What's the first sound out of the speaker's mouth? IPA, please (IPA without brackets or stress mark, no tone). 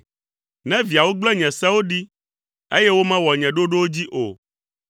n